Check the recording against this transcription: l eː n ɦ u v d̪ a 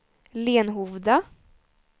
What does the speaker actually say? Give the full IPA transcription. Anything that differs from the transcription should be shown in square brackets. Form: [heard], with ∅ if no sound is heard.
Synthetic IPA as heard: l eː n ɦ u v d̪ a